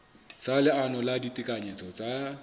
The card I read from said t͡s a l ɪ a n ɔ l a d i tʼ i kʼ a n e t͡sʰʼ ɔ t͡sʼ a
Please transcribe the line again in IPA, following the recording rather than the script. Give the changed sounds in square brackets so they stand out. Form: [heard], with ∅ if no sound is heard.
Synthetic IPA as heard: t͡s a l ɪ a n ɔ l a d i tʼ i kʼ a [ɲ] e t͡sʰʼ ɔ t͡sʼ a